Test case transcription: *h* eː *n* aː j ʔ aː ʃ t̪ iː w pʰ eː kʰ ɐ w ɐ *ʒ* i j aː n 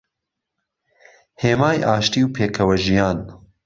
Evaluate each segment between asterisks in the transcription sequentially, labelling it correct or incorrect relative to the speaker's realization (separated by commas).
correct, incorrect, correct